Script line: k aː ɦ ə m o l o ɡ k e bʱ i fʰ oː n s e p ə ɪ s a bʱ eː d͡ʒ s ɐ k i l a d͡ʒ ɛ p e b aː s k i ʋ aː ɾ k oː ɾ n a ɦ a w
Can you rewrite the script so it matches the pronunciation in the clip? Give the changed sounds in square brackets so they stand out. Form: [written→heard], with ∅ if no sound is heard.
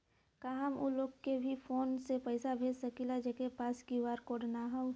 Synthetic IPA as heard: k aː ɦ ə m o l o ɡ k e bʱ i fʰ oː n s e p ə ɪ s a bʱ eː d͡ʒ s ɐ k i l a d͡ʒ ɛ [p→k] e [b→p] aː s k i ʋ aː ɾ k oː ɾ n a ɦ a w